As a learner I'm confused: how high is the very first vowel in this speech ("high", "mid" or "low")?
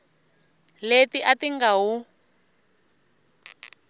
mid